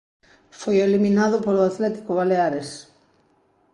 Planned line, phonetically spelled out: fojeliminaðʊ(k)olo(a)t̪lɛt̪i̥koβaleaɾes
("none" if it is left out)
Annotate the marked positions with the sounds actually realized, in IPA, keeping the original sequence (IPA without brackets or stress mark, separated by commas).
p, a